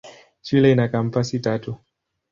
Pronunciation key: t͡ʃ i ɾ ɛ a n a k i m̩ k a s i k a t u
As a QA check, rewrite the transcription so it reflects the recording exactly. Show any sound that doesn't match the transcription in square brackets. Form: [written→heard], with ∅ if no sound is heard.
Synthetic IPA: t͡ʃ i [ɾ→l] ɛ [a→i] n a k [i→a] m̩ [k→p] a s i [k→t] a t u